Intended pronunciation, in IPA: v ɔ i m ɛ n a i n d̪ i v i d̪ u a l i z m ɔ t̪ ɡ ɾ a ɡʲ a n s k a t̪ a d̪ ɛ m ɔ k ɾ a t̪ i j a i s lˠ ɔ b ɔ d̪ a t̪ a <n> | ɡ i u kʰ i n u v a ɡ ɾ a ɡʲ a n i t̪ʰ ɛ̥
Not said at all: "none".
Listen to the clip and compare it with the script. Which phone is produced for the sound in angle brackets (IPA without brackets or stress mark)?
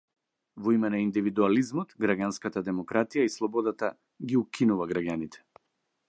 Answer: none